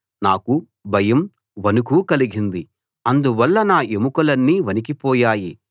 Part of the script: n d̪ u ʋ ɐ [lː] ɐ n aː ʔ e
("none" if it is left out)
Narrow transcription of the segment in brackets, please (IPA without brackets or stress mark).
lː